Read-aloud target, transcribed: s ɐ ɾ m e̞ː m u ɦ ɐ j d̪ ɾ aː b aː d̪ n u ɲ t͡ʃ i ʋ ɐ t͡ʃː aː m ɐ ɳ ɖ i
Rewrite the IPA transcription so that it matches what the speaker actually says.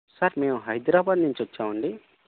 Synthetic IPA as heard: s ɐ ɾ m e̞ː m u ɦ ɐ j d̪ ɾ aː b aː d̪ n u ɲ t͡ʃ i ʋ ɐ t͡ʃː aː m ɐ ɳ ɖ i